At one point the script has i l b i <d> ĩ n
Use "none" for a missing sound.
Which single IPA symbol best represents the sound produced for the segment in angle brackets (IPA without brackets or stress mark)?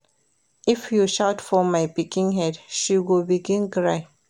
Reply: ɡ